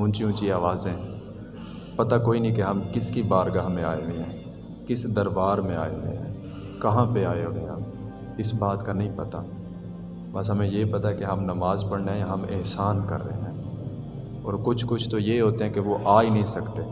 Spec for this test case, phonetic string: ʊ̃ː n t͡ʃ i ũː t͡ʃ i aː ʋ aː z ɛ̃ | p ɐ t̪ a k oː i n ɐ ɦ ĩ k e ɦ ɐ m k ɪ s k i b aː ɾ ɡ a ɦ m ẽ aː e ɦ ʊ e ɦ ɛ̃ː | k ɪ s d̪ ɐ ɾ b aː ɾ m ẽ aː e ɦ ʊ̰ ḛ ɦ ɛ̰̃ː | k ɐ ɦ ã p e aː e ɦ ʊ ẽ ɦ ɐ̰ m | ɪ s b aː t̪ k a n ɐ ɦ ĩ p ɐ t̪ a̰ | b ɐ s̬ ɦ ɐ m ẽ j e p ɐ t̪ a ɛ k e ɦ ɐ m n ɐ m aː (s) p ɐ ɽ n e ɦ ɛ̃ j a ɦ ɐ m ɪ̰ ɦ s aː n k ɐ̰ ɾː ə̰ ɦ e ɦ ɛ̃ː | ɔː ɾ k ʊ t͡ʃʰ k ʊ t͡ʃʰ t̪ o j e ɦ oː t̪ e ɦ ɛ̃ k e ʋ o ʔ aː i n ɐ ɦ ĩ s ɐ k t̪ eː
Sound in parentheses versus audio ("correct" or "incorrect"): incorrect